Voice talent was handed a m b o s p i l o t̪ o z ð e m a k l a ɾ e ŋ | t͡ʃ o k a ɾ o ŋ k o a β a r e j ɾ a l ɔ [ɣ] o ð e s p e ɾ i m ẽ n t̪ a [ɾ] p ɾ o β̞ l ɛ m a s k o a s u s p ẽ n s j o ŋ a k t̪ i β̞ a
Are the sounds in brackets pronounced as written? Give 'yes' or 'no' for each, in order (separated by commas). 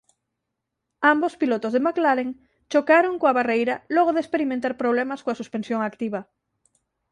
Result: yes, yes